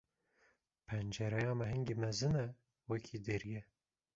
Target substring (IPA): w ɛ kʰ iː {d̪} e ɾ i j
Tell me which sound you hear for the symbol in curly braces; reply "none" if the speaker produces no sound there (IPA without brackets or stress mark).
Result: d̪